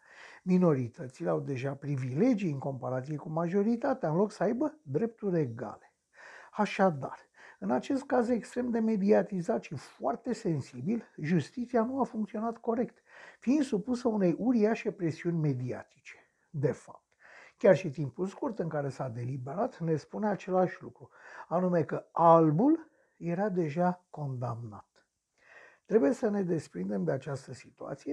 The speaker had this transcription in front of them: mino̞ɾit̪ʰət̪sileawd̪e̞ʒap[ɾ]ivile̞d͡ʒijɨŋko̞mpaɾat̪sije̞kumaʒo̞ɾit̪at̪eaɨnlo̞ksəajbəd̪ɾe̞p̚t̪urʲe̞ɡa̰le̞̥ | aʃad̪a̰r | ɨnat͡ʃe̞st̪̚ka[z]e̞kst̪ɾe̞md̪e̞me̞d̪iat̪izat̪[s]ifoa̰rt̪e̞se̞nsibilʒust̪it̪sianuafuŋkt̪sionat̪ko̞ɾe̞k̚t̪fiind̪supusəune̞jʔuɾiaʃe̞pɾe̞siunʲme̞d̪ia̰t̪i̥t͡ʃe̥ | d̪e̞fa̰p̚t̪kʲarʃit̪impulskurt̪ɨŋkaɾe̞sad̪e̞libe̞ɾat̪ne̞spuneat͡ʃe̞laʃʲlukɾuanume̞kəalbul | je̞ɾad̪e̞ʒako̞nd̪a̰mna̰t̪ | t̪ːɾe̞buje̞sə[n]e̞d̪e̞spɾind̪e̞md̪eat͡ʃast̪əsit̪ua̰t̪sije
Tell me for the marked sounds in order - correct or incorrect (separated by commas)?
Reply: correct, correct, incorrect, correct